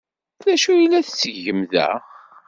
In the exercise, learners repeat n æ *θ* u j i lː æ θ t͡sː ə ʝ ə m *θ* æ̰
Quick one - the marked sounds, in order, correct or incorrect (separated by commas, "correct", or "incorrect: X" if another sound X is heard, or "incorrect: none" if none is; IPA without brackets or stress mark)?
incorrect: ʃ, incorrect: ð